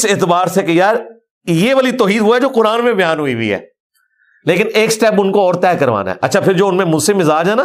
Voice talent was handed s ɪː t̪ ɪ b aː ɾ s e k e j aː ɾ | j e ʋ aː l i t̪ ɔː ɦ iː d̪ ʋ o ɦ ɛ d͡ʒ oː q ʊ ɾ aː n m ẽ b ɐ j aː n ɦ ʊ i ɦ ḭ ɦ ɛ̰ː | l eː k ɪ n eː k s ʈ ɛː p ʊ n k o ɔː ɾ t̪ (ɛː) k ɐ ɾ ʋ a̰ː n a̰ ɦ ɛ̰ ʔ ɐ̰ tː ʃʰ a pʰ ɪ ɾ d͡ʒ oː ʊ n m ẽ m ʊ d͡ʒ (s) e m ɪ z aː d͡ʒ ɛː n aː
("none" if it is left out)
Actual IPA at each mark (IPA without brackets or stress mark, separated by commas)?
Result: ɛː, s